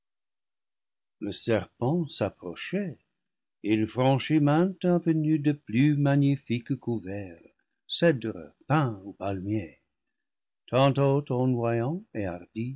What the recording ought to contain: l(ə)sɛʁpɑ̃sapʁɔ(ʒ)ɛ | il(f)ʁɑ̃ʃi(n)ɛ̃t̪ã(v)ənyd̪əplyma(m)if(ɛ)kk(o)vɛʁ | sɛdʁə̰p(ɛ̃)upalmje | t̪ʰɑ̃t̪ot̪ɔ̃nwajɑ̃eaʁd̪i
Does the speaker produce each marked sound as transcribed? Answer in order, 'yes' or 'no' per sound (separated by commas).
yes, no, yes, no, yes, no, no, no, yes